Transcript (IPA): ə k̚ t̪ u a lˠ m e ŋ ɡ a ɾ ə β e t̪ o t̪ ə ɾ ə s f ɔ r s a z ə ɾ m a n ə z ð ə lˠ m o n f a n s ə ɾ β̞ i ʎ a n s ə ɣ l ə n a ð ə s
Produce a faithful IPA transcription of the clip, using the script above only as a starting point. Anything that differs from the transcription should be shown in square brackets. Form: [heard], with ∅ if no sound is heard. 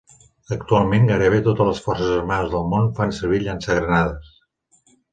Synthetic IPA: ə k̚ t̪ u a lˠ m e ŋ ɡ a ɾ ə β e t̪ o t̪ ə [l] ə s f ɔ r s [ə] z ə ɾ m a n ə z ð ə lˠ m o n f a n s ə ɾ β̞ i ʎ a n s ə ɣ [ɾ] ə n a ð ə s